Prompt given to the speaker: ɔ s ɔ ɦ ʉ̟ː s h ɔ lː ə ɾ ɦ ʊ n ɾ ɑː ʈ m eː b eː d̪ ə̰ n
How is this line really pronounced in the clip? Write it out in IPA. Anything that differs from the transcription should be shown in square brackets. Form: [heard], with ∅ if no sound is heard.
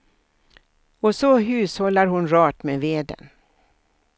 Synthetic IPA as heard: ɔ s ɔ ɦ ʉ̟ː s h ɔ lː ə ɾ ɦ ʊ n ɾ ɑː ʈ m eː [v] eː d̪ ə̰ n

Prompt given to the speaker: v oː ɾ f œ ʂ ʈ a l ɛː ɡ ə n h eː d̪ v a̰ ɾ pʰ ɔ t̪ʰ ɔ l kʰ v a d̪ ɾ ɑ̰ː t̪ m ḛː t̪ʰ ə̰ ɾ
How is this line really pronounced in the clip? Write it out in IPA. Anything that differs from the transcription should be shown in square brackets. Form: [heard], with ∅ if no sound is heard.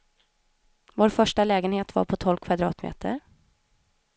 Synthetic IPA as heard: v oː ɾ f œ ʂ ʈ a l ɛː ɡ ə n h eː [t̪] v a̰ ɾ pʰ ɔ t̪ʰ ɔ l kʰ v a d̪ ɾ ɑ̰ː t̪ m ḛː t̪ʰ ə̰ ɾ

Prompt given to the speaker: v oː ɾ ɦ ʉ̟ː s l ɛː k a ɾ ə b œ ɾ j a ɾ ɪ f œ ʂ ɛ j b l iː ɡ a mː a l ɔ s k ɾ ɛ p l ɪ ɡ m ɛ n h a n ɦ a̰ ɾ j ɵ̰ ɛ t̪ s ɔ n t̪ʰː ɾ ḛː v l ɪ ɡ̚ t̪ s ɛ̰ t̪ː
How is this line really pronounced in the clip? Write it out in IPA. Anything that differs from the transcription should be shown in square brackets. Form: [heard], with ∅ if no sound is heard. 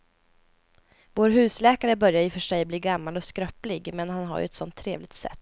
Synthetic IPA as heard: v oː ɾ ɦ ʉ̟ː s l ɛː k a ɾ ə b œ ɾ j a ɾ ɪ f œ ʂ ɛ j b l iː ɡ a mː a l ɔ s k ɾ [œ] p l ɪ ɡ m ɛ n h a n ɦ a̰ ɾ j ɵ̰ ɛ t̪ s ɔ n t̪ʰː ɾ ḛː v l ɪ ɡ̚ t̪ s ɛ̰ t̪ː

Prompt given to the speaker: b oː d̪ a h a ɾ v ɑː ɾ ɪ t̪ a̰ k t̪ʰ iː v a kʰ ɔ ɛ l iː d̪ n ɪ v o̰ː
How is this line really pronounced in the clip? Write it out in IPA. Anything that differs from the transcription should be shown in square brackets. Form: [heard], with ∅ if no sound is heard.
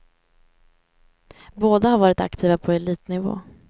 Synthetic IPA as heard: b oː d̪ a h a ɾ v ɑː ɾ ɪ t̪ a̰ k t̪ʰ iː v a [pʰ] ɔ ɛ l iː [t̪] n ɪ v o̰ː

